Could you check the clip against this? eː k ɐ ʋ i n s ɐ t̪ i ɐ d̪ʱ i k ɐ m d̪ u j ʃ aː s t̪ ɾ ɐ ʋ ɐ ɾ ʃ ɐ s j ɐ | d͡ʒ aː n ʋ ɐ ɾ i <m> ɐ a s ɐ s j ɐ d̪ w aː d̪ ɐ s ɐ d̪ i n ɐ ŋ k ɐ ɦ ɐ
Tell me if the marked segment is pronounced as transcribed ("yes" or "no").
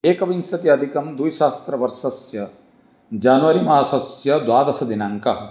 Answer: yes